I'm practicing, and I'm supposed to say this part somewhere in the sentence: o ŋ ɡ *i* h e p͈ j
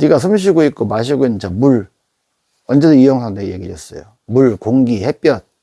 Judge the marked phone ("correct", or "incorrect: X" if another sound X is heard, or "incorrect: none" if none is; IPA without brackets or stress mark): correct